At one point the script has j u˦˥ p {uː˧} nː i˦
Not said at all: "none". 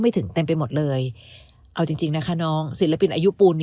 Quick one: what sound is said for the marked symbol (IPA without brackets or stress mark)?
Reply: uː˧